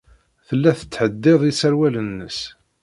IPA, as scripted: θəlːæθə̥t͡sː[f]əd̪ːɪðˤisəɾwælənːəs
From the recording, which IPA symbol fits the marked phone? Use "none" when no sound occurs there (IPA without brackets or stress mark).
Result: ħ